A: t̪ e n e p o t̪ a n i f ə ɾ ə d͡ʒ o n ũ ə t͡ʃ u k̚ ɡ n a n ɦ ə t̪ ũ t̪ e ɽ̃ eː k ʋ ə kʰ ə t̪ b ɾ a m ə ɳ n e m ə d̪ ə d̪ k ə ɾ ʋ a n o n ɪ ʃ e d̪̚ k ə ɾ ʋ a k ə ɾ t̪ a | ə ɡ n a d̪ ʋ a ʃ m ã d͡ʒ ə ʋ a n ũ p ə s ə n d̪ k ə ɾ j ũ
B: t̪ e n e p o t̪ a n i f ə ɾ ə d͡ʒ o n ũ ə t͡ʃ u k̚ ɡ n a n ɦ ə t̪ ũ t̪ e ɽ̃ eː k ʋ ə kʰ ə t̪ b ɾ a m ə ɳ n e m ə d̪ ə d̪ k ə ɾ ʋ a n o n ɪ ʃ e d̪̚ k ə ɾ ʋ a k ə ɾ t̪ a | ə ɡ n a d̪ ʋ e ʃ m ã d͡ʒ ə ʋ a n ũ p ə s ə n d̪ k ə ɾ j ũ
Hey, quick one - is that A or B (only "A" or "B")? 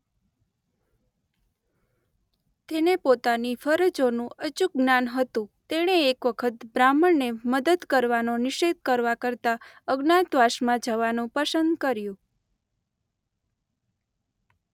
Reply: A